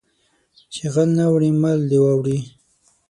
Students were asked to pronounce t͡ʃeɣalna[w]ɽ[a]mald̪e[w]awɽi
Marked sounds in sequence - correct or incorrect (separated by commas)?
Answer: correct, incorrect, correct